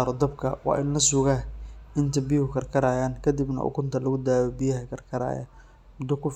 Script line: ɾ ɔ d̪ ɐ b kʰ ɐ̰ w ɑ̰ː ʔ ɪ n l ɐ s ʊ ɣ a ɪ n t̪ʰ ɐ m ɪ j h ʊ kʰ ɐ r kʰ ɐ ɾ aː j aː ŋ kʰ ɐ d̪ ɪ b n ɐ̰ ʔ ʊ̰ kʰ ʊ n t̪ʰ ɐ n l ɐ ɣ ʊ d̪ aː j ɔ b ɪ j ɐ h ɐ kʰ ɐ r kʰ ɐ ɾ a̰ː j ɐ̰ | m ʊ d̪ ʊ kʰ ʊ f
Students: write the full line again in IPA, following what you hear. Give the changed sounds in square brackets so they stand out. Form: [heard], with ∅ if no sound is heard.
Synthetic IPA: ɾ ɔ d̪ ɐ b kʰ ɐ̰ w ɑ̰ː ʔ ɪ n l ɐ s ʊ ɣ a ɪ n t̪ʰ ɐ [b] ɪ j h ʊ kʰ ɐ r kʰ ɐ ɾ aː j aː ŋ kʰ ɐ d̪ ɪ b n ɐ̰ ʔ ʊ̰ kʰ ʊ n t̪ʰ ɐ [∅] l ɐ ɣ ʊ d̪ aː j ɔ b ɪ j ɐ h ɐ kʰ ɐ r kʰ ɐ ɾ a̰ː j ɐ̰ | m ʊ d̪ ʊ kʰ ʊ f